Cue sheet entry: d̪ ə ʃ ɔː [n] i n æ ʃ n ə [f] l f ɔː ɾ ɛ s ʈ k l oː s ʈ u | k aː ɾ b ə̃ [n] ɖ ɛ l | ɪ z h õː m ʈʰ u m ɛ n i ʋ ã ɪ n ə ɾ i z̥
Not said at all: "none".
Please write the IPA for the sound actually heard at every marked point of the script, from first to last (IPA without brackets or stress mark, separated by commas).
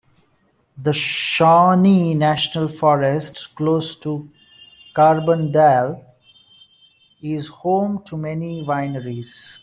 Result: n, none, n